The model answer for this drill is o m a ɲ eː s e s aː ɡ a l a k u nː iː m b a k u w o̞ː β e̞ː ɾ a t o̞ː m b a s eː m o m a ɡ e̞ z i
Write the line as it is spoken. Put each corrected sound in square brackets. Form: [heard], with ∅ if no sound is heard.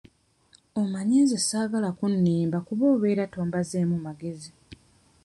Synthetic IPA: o m a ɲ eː [z] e s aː ɡ a l a k u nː iː m b a k u [β] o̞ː β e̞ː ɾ a t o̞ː m b a [z] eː m [u] m a ɡ e̞ z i